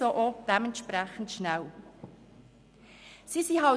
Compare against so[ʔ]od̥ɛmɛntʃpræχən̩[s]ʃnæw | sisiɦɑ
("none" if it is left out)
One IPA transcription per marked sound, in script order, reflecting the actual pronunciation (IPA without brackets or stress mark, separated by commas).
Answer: ʔ, t